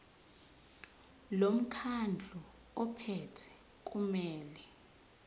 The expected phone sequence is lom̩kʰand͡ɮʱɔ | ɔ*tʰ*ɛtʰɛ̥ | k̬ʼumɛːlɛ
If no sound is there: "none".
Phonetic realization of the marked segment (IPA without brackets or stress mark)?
pʰ